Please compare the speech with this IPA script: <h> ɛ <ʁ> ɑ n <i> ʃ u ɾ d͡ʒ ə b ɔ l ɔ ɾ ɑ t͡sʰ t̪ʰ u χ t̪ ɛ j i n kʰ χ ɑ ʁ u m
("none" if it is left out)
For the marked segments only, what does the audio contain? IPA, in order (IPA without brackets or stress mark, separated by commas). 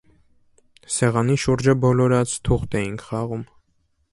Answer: s, ʁ, i